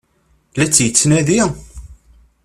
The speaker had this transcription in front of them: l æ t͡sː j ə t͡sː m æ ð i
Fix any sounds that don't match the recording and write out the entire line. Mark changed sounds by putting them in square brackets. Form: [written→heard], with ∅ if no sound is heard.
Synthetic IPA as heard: l æ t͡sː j ə t͡sː [m→n] æ ð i